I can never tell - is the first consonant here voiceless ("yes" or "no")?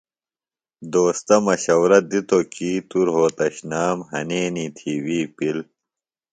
no